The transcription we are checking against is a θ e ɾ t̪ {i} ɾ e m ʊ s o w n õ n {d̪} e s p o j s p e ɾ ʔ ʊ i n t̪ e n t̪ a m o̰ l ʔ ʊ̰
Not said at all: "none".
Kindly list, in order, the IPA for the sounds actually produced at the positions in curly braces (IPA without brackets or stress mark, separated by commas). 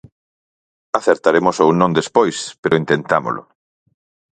a, d̪